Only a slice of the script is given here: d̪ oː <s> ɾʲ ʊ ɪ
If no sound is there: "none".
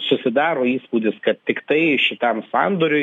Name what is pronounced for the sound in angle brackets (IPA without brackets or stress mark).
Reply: none